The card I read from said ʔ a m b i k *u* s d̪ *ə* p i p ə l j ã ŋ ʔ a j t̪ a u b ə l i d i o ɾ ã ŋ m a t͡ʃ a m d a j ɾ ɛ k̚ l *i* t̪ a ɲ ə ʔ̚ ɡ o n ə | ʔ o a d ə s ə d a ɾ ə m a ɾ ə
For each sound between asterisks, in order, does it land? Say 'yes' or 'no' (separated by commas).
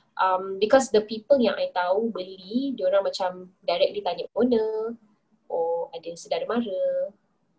no, yes, yes